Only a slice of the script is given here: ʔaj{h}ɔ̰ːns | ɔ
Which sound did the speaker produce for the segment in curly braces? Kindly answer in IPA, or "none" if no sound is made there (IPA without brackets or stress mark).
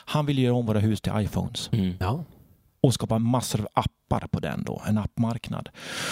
f